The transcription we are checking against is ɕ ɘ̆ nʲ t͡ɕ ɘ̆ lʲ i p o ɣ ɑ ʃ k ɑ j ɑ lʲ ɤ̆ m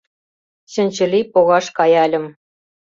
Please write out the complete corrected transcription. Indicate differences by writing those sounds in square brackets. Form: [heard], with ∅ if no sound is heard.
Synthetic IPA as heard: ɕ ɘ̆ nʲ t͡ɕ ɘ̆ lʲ i p o ɣ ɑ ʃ k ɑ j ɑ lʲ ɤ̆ m